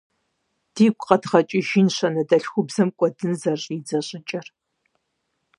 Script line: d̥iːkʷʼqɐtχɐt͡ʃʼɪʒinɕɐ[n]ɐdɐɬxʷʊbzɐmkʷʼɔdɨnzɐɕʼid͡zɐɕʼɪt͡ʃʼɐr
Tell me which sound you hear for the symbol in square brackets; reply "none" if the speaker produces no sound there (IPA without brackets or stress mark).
n